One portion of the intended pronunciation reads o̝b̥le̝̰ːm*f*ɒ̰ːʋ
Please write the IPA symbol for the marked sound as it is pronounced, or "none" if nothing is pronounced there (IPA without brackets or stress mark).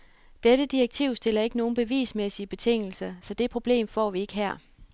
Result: f